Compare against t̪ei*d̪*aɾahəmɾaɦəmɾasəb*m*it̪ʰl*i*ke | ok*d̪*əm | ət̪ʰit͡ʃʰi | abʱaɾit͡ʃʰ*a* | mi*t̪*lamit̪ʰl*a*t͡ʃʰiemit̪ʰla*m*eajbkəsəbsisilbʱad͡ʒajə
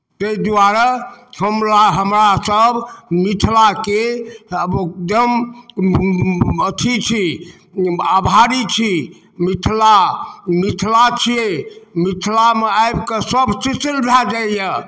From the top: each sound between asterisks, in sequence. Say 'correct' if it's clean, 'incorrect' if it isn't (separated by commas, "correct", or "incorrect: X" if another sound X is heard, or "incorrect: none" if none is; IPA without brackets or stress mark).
correct, correct, incorrect: a, correct, incorrect: i, incorrect: t̪ʰ, correct, correct